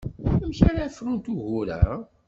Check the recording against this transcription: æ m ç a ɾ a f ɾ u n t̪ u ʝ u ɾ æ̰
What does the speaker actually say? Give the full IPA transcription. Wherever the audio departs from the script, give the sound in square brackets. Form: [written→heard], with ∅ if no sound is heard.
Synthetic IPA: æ m ç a ɾ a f ɾ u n t̪ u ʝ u ɾ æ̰